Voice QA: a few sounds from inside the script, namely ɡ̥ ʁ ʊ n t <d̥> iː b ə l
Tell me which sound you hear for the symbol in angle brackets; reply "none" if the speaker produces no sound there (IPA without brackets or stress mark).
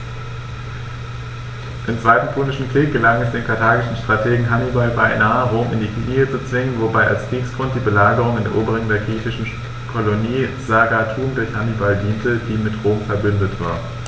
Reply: d̥